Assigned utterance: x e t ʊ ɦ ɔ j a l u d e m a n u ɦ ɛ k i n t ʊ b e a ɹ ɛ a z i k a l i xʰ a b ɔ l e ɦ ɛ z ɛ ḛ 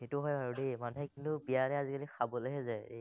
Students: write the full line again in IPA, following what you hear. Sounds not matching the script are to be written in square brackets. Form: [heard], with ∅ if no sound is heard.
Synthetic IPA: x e t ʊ ɦ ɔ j a [ɹ] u d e m a n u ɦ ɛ k i n t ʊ b [i] a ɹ ɛ a z i k a l i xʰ a b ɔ l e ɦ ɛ z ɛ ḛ